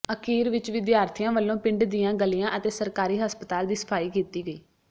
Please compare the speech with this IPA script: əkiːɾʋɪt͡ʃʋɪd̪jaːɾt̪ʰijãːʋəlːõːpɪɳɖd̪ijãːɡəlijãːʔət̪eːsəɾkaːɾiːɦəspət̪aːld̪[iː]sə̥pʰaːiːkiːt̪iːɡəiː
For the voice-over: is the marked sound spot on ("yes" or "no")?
yes